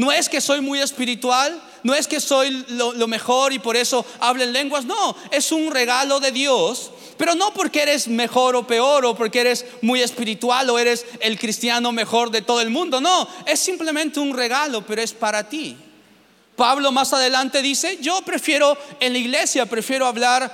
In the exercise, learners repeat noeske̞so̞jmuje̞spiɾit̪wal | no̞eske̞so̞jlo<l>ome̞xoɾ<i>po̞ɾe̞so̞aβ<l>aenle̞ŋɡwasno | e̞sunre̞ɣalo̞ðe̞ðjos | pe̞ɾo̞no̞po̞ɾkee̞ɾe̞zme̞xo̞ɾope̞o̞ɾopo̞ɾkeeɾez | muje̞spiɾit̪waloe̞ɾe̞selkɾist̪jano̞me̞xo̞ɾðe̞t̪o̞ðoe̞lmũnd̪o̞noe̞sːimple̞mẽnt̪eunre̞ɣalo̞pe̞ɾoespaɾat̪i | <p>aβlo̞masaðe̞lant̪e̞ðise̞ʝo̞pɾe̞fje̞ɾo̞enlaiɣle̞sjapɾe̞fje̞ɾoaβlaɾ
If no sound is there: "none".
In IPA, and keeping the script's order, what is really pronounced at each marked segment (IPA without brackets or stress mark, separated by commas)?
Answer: l, i, l, p